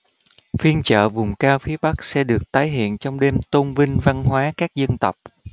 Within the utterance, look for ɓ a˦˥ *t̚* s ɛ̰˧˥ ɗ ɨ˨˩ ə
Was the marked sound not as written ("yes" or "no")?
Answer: yes